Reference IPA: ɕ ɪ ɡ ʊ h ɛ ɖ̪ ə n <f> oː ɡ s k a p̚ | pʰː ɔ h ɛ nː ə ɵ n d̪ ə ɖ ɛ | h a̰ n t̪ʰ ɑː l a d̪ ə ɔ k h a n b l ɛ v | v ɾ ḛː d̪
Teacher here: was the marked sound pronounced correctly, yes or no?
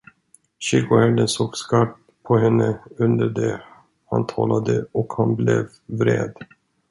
no